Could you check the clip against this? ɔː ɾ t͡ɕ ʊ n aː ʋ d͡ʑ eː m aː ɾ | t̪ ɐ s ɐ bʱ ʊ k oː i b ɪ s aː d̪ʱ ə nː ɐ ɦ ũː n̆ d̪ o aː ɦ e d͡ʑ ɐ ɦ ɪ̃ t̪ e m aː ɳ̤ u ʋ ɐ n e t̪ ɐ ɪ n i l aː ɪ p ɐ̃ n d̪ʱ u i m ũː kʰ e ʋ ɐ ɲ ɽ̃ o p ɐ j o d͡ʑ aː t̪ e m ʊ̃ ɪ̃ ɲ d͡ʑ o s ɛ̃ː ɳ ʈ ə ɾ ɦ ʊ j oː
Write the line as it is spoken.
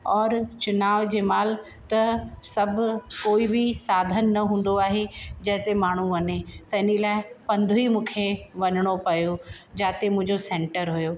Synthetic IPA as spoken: ɔː ɾ t͡ɕ ʊ n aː ʋ d͡ʑ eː m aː l | t̪ ɐ s ɐ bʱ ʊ k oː i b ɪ s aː d̪ʱ ə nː ɐ ɦ ũː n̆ d̪ o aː ɦ e d͡ʑ ɐ ɦ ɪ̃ t̪ e m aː ɳ̤ u ʋ ɐ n e t̪ ɐ ɪ n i l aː ɪ p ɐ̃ n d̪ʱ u i m ũː kʰ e ʋ ɐ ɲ ɽ̃ o p ɐ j o d͡ʑ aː t̪ e m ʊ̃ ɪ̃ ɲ d͡ʑ o s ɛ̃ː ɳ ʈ ə ɾ ɦ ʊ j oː